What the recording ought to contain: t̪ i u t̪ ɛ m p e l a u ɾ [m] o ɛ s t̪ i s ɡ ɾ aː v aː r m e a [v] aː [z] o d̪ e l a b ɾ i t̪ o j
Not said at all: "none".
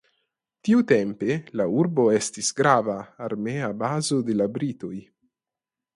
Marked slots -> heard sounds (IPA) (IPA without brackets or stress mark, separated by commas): b, b, z